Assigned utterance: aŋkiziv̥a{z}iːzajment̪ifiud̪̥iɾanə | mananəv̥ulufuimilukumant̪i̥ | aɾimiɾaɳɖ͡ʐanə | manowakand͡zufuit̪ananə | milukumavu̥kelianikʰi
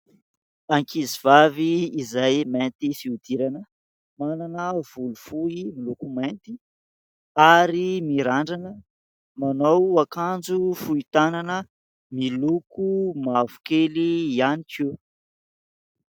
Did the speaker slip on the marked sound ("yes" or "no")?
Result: yes